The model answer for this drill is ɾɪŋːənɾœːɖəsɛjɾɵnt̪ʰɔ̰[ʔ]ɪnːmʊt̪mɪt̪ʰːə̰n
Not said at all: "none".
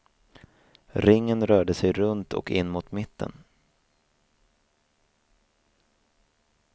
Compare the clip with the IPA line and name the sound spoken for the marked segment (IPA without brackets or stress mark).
k